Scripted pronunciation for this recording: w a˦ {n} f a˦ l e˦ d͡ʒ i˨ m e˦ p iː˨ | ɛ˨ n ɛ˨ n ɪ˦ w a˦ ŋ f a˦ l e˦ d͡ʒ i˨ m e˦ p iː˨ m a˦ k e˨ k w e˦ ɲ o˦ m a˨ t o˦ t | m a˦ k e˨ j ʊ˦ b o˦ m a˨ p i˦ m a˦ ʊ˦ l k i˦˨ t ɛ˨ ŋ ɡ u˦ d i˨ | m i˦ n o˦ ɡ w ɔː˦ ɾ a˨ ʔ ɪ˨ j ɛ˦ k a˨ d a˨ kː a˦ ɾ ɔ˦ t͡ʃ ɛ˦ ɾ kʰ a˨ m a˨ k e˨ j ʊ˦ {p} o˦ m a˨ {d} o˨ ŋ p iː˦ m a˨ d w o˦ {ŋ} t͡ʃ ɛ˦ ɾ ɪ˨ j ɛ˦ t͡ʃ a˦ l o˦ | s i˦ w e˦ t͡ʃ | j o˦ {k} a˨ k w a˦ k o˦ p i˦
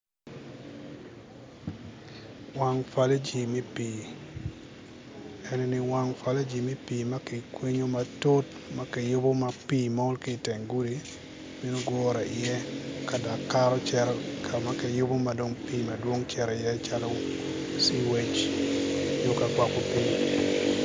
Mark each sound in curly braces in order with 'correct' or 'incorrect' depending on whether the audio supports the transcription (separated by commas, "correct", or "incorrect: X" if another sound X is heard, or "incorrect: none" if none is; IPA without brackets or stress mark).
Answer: incorrect: ŋ, incorrect: b, correct, correct, correct